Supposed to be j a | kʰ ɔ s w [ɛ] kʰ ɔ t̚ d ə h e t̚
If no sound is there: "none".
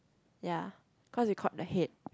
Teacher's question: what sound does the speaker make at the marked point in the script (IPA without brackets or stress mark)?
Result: i